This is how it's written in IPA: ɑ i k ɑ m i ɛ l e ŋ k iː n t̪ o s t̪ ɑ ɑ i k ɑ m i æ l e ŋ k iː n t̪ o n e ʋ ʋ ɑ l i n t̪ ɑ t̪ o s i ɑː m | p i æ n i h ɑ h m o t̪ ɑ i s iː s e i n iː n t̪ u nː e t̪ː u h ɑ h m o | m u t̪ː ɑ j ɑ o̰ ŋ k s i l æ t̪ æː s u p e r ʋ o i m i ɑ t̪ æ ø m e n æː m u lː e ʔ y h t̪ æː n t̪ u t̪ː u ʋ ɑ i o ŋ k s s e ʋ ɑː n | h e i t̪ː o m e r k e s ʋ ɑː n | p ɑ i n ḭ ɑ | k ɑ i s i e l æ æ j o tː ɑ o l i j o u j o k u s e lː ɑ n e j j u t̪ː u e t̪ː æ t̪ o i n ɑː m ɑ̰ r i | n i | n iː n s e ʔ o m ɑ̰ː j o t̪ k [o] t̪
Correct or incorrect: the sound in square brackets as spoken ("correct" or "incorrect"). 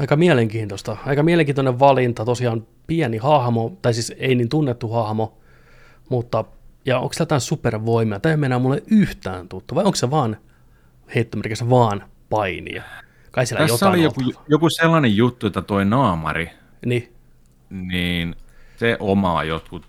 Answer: incorrect